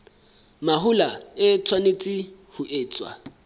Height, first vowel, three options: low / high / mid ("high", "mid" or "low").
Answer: low